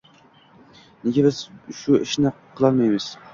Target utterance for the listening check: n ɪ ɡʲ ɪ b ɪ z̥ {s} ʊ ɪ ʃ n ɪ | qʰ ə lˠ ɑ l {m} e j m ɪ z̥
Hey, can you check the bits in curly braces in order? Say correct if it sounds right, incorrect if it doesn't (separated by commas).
incorrect, correct